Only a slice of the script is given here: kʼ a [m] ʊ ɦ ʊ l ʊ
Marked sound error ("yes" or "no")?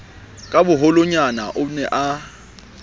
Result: yes